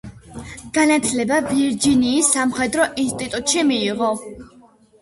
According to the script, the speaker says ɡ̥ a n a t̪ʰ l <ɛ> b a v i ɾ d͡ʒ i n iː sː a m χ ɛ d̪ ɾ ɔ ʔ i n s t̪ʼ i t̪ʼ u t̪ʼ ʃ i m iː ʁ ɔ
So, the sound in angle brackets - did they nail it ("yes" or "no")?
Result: yes